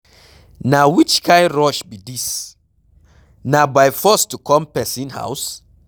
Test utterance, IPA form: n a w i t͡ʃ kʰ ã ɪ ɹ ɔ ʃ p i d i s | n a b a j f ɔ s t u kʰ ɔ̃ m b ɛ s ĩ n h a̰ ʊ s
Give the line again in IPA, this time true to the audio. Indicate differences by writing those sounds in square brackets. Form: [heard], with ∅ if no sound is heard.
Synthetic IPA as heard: n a w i t͡ʃ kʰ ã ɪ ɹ ɔ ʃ [b] i d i s | n a b a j f ɔ s t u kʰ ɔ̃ m [p] ɛ s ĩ n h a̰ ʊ s